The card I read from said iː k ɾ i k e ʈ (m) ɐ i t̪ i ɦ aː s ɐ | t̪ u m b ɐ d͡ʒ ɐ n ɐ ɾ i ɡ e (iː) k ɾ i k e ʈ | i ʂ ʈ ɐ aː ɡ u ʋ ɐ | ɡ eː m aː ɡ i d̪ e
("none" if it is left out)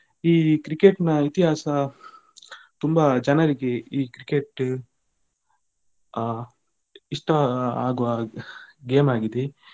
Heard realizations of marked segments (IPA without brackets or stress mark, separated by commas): n, iː